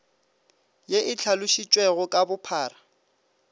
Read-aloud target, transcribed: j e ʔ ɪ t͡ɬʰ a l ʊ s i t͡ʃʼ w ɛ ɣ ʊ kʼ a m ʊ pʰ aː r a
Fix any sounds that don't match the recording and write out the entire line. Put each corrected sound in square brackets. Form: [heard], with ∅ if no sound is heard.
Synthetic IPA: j e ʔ ɪ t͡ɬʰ a l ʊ [ʃ] i t͡ʃʼ w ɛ ɣ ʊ kʼ a [b] ʊ pʰ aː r a